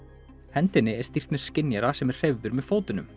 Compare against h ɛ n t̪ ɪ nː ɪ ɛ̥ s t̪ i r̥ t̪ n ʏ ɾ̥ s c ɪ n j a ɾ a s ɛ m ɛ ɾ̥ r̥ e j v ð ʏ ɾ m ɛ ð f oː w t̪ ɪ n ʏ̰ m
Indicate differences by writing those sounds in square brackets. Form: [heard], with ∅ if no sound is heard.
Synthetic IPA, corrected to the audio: h ɛ n t̪ ɪ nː ɪ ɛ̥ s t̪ i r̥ t̪ n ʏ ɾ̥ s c ɪ n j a ɾ a s ɛ m ɛ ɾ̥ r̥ e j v ð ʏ ɾ m ɛ ð f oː w t̪ ɪ n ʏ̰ m